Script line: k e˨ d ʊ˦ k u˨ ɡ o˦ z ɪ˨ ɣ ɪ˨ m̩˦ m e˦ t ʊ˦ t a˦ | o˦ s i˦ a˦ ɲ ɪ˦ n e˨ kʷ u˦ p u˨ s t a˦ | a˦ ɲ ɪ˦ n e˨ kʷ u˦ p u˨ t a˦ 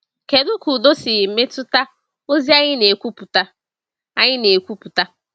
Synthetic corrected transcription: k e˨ d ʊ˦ k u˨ d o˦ s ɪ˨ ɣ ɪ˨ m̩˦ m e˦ t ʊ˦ t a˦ | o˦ z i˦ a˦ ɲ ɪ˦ n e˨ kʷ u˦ p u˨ t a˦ | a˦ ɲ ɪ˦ n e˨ kʷ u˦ p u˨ t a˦